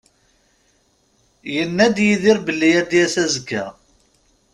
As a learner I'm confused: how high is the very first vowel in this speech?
mid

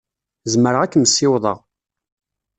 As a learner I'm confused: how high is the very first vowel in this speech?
mid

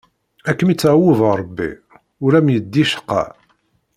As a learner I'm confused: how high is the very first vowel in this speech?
low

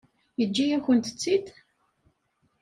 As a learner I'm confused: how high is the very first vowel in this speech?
mid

